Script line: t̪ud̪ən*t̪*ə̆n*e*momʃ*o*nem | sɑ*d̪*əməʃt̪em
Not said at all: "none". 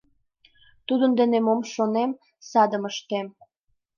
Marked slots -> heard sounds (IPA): d̪, e, o, d̪

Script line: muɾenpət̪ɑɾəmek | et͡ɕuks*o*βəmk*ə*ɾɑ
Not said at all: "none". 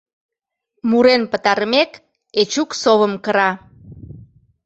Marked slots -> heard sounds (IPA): o, ə

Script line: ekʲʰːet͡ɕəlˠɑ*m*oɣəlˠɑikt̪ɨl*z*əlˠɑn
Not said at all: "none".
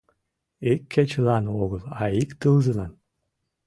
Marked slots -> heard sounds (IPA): n, z

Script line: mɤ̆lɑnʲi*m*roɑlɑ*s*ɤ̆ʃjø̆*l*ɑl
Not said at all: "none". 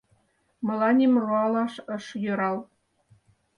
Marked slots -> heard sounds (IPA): m, ʃ, ɾ

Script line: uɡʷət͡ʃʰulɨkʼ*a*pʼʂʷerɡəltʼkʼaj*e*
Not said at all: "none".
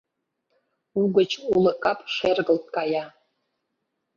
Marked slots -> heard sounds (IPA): a, a

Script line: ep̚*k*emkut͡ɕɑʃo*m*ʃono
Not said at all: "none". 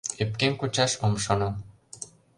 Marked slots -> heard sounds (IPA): k, m

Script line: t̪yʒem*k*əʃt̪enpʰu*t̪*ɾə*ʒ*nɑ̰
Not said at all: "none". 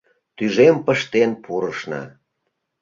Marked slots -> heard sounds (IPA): p, none, ʃ

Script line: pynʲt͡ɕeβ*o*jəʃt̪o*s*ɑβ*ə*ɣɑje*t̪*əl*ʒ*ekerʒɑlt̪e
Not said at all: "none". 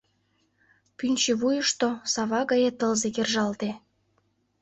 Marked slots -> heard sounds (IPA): u, s, ɑ, t̪, z

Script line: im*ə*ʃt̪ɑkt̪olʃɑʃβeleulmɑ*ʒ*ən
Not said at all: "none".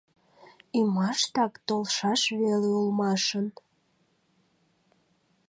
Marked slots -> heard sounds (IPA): ɑ, ʃ

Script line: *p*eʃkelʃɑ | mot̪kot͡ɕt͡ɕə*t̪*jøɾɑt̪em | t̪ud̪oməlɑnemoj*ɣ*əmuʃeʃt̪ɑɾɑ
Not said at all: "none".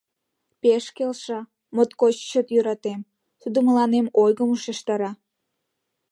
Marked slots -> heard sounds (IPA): p, t̪, ɣ

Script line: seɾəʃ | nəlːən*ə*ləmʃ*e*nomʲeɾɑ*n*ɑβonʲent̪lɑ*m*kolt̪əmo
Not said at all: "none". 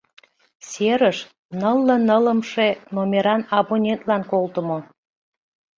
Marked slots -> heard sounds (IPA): ə, e, n, n

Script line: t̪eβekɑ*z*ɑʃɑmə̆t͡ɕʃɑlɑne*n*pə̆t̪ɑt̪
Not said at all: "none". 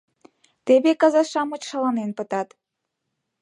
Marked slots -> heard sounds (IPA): z, n

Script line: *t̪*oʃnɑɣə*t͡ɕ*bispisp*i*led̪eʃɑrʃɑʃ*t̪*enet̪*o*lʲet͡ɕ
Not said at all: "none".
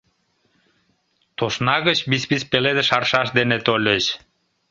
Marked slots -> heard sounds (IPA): t̪, t͡ɕ, e, d̪, o

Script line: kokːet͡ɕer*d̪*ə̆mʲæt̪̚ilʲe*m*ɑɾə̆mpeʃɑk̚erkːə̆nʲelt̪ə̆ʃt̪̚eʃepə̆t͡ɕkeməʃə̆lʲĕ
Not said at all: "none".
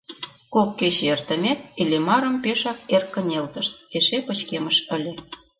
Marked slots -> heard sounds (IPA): t̪, m

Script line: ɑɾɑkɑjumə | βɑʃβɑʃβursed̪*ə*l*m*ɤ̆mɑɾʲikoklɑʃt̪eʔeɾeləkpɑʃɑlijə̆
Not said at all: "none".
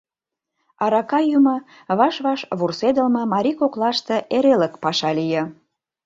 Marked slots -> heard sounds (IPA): ə, m

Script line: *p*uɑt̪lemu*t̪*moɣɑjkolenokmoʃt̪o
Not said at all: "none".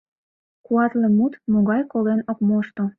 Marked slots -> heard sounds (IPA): k, t̪

